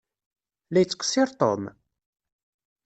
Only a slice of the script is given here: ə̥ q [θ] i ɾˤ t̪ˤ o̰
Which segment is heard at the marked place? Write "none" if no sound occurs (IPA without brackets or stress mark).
s